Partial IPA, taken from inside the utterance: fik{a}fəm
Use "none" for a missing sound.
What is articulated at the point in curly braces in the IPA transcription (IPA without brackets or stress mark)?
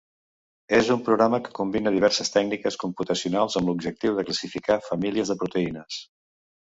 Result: a